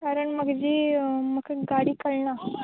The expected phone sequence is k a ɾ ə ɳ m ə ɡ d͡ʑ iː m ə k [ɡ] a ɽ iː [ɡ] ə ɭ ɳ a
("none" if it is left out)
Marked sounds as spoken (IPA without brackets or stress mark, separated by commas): ɡ, k